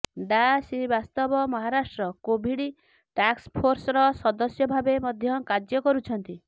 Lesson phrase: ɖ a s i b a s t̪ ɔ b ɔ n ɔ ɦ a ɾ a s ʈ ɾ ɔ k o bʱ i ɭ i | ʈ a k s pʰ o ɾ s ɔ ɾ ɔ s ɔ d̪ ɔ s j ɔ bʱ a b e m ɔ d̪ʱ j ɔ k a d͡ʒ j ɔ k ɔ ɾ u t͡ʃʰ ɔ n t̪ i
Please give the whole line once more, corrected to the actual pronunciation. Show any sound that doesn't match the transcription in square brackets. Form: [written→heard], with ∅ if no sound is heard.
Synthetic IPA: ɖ a s i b a s t̪ ɔ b ɔ [n→m] ɔ ɦ a ɾ a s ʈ ɾ ɔ k o bʱ i [ɭ→ɽ] i | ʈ a k s pʰ o ɾ s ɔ ɾ ɔ s ɔ d̪ ɔ s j ɔ bʱ a b e m ɔ d̪ʱ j ɔ k a d͡ʒ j ɔ k ɔ ɾ u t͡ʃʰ ɔ n t̪ i